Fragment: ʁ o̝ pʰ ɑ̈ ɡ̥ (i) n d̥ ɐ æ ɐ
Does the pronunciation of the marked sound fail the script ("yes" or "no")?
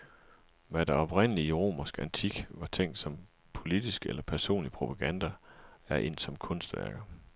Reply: yes